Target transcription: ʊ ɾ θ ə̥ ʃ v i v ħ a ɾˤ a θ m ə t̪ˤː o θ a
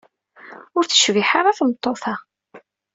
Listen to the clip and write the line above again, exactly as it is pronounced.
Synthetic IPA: ʊ ɾ θ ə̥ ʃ v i ħ a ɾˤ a θ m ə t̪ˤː o θ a